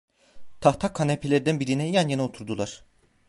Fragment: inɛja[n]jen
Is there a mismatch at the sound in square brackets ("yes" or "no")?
no